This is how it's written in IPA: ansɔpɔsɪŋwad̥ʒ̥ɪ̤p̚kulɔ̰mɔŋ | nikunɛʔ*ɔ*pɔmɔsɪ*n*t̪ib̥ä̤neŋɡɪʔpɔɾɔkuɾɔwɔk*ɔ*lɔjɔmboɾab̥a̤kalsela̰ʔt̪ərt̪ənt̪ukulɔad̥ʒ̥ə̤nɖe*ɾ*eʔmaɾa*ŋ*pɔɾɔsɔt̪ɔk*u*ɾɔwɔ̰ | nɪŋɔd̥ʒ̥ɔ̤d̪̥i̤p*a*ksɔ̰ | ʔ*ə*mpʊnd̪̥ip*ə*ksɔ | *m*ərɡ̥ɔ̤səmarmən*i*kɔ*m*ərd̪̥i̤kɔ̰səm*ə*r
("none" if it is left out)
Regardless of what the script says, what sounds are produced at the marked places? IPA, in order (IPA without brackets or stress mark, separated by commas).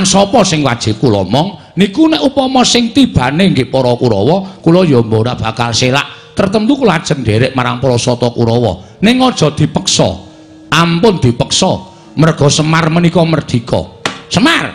u, ŋ, u, ɾ, ŋ, u, ə, a, ə, m, i, m, a